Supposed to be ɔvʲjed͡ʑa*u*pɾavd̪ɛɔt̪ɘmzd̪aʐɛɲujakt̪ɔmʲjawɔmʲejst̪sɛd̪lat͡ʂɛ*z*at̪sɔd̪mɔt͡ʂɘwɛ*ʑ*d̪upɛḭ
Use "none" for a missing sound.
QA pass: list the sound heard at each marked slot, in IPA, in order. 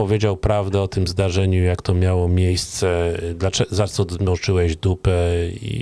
w, z, ʑ

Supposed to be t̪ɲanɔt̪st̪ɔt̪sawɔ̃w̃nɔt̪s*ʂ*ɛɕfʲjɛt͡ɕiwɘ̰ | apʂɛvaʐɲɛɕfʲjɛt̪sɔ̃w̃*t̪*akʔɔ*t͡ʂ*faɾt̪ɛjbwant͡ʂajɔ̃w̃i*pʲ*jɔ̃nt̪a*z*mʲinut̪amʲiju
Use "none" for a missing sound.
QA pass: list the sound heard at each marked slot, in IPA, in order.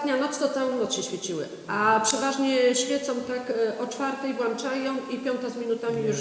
ɕ, t̪, t͡ʂ, pʲ, z

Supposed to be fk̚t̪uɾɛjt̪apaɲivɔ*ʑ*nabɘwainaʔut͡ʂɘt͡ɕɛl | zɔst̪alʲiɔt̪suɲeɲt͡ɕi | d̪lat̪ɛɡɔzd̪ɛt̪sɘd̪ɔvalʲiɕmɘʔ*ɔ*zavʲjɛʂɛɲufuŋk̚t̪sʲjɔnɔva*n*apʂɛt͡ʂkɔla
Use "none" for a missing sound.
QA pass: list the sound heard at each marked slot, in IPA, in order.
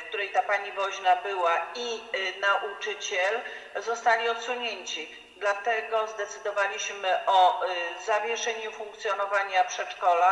ʑ, ɔ, ɲ

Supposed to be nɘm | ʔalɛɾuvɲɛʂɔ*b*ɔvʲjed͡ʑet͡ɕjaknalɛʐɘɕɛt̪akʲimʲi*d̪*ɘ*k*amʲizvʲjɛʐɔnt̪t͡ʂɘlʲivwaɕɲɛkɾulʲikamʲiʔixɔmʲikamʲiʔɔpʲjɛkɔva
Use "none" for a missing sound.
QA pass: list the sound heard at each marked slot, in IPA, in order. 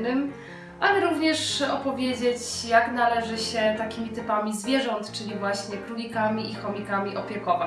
p, t̪, p

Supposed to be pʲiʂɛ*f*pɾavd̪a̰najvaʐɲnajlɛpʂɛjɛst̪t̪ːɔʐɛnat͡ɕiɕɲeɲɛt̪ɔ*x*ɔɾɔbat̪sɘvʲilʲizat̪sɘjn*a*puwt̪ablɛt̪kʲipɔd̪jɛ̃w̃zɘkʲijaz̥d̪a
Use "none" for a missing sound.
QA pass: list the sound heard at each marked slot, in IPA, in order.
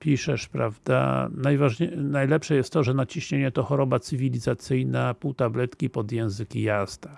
ʂ, x, a

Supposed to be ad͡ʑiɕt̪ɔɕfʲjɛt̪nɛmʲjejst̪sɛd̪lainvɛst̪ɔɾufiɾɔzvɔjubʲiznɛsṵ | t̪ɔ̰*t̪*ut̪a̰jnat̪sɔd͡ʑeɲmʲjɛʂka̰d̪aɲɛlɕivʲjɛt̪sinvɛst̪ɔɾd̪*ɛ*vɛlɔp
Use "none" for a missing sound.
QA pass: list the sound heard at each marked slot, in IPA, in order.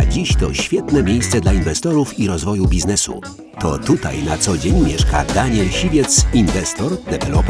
t̪, ɛ

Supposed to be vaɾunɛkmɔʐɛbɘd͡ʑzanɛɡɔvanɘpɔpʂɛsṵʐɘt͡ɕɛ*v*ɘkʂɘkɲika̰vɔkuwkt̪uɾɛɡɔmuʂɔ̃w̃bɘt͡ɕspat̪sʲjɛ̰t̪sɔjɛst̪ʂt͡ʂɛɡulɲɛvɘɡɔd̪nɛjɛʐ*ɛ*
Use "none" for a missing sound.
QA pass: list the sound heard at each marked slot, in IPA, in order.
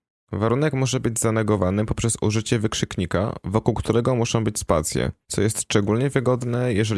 v, ɛ

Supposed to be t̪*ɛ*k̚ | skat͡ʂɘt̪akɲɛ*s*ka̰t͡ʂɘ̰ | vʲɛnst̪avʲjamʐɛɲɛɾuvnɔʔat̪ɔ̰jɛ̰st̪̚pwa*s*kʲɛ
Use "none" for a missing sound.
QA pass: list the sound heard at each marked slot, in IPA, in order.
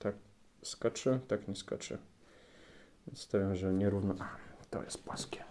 a, s, s

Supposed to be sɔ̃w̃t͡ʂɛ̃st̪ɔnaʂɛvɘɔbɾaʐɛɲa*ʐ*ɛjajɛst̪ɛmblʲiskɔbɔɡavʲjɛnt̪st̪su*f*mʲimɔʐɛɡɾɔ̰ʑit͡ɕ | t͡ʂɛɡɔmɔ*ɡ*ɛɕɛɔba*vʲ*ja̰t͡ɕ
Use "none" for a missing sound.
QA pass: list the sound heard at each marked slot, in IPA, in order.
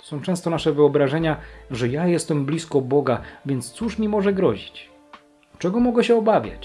ʐ, ʂ, ɡ, vʲ

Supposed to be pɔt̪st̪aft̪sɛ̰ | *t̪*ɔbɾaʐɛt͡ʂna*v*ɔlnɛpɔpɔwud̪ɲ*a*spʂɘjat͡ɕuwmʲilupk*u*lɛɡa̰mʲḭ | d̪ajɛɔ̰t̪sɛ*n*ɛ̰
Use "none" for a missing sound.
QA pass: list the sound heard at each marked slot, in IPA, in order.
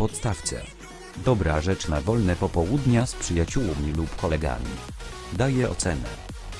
d̪, v, a, ɔ, n

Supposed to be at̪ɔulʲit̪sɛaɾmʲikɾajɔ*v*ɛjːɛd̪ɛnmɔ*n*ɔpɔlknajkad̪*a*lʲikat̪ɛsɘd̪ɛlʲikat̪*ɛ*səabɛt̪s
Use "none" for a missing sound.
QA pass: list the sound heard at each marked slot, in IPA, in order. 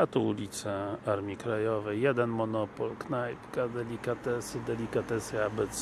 v, n, ɛ, ɛ

